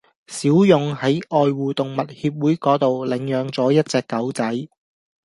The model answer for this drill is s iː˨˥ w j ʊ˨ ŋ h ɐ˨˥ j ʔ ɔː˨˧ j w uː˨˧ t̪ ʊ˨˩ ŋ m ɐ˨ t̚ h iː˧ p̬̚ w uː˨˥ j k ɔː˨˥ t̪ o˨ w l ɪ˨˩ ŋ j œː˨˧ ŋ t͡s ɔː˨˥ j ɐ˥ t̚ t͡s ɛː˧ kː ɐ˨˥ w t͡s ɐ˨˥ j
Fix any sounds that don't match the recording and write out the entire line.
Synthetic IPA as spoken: s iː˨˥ w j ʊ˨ ŋ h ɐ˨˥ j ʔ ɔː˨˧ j w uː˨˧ t̪ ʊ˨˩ ŋ m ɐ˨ t̚ h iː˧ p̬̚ w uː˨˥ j k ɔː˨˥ t̪ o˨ w l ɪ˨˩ ŋ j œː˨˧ ŋ t͡s ɔː˨˥ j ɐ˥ t̚ t͡s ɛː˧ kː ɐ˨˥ w t͡s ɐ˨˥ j